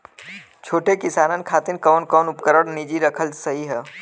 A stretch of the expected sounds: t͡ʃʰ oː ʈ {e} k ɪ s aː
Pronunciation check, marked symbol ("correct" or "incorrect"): correct